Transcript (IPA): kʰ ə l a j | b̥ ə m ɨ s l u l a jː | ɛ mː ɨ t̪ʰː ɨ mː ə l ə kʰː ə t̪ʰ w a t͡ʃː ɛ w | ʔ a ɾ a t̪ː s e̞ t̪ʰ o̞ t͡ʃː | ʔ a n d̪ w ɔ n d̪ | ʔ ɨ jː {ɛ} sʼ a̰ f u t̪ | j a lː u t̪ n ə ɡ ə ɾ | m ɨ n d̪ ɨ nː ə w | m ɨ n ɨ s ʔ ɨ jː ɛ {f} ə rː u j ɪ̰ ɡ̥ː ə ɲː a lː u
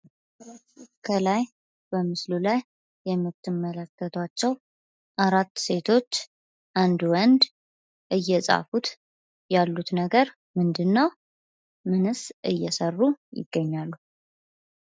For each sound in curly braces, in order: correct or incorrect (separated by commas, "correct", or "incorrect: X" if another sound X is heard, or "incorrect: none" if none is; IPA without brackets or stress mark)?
correct, incorrect: s